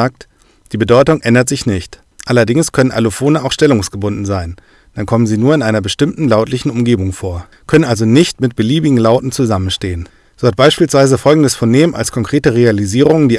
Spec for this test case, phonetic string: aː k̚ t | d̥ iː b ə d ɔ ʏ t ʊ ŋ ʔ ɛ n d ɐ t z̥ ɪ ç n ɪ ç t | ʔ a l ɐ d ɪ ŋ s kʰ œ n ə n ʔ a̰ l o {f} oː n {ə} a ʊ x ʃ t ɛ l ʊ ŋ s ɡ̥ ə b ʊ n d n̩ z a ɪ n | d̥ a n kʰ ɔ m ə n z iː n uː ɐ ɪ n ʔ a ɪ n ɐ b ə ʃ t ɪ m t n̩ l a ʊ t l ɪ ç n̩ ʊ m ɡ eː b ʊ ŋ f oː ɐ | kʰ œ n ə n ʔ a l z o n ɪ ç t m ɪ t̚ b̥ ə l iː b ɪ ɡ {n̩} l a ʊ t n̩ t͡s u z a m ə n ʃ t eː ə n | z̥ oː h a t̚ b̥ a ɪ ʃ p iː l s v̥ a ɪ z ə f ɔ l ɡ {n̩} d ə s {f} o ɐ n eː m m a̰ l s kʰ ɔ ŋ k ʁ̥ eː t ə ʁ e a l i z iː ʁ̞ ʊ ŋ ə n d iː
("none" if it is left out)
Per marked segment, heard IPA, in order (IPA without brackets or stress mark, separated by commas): f, ə, ŋ̩, ŋ̩, f